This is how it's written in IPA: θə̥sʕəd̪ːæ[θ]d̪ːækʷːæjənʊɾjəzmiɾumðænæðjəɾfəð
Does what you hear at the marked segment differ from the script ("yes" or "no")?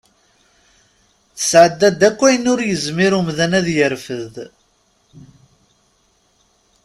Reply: yes